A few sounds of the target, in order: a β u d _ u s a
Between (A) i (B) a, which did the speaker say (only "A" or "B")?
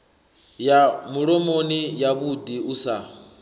A